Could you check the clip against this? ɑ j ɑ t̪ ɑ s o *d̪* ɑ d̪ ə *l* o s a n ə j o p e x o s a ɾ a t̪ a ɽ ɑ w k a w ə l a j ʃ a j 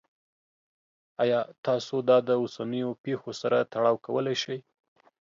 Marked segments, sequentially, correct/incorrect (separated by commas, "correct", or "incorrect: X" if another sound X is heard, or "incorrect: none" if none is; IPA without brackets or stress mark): correct, incorrect: none